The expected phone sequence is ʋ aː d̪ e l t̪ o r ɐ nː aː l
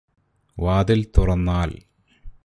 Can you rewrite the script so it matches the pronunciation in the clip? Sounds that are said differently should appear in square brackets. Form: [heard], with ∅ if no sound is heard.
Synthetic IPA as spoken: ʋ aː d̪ [i] l t̪ [u] r ɐ nː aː l